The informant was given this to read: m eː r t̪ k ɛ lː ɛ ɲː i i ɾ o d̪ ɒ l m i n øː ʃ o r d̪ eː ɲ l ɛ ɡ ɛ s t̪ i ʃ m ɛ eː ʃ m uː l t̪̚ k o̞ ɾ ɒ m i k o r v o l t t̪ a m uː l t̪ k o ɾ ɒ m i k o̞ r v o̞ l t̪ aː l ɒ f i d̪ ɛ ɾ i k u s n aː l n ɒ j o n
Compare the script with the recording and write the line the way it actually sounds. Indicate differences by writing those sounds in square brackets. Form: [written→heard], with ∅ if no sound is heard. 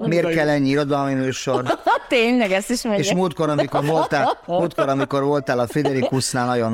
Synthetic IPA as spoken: m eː r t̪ k ɛ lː ɛ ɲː i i ɾ o d̪ ɒ l m i n øː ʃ o r [d̪→t̪] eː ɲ l ɛ ɡ ɛ s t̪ i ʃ m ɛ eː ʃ m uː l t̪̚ k o̞ ɾ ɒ m i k o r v o l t t̪ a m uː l t̪ k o ɾ ɒ m i k o̞ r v o̞ l t̪ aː l ɒ f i d̪ ɛ ɾ i k u s n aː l n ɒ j o n